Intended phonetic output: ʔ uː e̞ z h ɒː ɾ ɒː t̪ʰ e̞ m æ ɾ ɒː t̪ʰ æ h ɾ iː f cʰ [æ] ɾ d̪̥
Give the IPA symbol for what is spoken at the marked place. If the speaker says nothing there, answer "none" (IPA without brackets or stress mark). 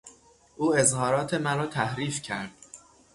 æ